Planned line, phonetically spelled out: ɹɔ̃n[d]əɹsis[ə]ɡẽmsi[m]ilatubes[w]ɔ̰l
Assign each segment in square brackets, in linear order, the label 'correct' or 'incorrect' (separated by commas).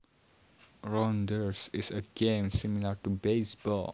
correct, correct, correct, incorrect